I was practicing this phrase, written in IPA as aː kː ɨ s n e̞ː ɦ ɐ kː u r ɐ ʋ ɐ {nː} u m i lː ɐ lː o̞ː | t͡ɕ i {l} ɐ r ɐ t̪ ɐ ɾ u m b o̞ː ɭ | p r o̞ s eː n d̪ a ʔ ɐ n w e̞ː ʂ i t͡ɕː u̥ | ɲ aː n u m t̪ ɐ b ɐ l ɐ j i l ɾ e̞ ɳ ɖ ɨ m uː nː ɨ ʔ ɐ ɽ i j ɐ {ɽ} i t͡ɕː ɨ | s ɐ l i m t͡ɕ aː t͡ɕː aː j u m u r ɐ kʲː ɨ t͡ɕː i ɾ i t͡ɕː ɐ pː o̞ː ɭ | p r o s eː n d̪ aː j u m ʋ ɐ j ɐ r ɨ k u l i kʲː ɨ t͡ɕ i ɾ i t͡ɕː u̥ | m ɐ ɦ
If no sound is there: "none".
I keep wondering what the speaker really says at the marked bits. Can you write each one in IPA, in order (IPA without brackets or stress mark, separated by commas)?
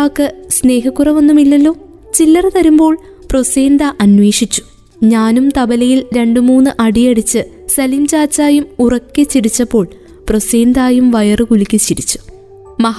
nː, lː, ɽ